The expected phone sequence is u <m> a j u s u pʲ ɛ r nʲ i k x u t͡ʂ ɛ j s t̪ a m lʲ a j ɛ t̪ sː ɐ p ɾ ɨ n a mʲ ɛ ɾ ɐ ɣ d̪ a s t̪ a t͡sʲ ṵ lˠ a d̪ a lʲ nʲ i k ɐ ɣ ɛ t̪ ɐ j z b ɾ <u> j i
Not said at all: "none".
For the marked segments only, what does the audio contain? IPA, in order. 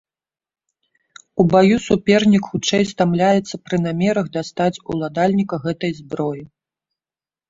b, ɔ

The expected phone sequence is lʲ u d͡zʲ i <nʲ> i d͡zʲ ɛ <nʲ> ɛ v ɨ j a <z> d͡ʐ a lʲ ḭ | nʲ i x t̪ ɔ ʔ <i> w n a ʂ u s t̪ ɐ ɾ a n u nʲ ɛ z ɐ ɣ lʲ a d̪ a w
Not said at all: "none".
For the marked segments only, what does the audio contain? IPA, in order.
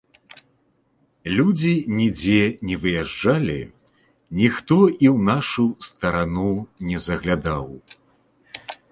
nʲ, nʲ, ʐ, i

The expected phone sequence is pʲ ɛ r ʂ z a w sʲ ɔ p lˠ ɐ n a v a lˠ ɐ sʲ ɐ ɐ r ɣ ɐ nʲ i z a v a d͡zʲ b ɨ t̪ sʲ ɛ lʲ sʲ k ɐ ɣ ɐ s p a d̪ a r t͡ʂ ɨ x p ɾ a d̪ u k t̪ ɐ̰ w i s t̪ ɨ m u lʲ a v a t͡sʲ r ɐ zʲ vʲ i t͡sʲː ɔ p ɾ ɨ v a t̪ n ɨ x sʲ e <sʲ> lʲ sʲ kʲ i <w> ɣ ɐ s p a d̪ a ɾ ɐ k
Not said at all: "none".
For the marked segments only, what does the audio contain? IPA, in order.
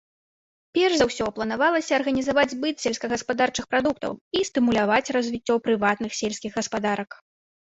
none, ɣ

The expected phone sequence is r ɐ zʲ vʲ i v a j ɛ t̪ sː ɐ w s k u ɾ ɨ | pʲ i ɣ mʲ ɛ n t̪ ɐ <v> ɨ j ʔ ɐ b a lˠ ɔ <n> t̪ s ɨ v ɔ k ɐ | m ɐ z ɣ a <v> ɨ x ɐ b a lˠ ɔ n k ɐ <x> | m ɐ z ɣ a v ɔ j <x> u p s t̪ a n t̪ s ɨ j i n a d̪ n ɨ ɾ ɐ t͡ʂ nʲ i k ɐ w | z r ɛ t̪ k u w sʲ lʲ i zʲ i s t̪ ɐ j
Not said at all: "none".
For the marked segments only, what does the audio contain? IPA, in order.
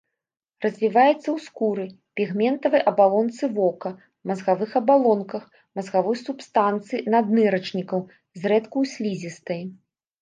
v, n, v, x, s

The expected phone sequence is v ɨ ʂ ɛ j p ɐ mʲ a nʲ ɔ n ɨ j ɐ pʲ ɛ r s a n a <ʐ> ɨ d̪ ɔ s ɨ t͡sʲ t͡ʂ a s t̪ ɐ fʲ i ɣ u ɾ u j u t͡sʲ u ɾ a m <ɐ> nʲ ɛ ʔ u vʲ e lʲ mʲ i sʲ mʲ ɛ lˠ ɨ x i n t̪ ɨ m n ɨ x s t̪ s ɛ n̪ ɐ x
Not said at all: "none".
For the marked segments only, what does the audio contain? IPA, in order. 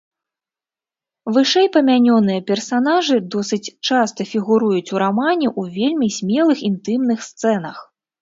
ʐ, a

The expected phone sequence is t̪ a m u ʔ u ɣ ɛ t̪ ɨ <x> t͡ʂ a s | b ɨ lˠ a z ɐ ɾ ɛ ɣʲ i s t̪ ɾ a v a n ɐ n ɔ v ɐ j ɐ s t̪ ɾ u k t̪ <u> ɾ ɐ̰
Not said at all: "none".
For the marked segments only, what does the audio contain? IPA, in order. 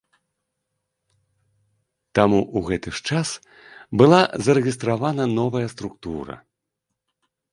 ʂ, u

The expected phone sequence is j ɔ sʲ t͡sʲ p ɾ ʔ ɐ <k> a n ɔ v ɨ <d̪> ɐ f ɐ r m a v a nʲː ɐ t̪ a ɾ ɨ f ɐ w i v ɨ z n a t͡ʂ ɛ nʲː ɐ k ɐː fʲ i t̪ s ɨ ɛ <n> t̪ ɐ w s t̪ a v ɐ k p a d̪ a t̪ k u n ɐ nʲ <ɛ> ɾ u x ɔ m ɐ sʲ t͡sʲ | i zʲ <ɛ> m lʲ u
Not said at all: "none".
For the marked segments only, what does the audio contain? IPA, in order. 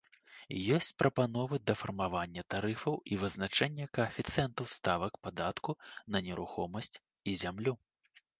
p, d̪, n, ɛ, a

